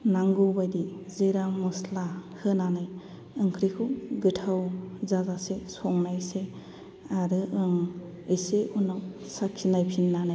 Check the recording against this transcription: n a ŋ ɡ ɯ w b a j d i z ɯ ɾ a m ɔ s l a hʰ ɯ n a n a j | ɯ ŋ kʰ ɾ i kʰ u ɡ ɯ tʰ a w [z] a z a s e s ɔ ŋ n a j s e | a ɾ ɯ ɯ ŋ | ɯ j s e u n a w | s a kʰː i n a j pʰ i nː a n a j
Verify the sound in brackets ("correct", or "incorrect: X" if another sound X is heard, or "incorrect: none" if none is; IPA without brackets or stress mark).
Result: correct